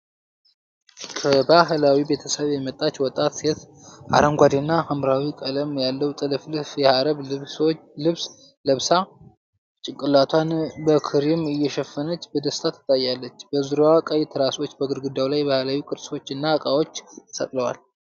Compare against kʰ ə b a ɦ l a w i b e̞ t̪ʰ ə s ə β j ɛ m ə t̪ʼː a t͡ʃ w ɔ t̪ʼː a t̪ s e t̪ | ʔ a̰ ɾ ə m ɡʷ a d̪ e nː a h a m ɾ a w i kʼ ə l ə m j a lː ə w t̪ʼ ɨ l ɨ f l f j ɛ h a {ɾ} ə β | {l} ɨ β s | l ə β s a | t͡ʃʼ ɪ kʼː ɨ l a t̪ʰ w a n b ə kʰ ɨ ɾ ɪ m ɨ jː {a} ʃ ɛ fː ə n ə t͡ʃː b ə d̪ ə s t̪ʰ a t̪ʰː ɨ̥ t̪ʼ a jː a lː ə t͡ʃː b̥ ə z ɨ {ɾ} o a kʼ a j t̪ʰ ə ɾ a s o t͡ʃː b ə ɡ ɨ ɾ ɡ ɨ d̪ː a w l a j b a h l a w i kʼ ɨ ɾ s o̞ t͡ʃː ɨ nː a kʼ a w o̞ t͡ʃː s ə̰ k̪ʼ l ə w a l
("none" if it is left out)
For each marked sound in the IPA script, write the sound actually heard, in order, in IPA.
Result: ɾ, l, ɛ, ɾ

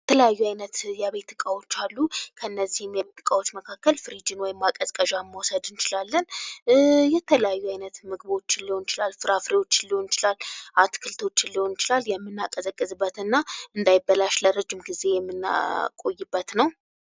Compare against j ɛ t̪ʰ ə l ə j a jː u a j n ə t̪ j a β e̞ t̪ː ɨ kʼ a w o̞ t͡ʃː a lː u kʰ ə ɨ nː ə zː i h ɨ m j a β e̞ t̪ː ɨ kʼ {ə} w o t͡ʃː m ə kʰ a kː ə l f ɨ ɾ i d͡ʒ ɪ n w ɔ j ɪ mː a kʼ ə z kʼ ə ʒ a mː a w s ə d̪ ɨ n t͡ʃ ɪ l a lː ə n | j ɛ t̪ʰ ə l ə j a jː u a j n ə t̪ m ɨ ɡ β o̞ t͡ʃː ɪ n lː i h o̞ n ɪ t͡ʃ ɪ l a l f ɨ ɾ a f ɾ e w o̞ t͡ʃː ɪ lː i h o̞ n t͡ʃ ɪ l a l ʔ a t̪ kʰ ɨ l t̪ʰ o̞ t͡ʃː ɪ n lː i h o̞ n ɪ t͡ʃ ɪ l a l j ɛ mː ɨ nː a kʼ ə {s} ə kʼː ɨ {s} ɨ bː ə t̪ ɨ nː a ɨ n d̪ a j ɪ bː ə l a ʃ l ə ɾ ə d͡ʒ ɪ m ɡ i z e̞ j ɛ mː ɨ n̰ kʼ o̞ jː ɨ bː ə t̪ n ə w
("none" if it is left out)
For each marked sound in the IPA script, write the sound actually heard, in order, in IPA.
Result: a, z, z

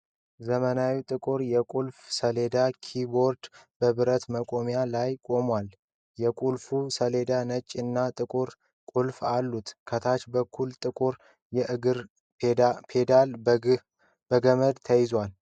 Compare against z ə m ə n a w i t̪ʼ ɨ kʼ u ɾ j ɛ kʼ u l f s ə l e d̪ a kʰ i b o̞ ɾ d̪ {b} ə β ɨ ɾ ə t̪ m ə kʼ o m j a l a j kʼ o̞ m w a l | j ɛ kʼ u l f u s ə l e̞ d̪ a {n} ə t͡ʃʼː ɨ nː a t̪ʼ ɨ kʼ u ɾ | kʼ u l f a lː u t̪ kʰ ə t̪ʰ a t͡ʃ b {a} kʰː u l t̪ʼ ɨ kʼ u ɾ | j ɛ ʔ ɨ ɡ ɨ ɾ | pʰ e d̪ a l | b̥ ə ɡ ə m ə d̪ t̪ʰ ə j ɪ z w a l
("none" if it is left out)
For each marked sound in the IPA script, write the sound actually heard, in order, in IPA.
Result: b, n, ə

